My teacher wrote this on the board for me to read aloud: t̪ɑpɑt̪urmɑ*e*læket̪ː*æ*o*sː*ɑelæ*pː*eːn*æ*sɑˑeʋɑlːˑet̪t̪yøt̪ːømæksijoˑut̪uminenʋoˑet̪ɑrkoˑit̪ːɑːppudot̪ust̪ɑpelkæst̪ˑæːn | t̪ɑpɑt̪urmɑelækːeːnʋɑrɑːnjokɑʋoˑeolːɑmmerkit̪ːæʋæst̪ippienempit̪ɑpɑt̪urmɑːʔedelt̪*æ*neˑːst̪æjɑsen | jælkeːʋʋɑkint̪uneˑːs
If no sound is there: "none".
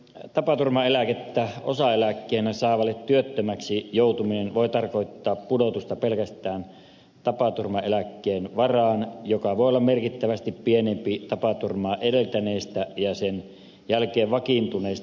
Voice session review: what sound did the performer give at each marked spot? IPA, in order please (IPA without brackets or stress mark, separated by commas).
e, æ, s, kː, æ, æ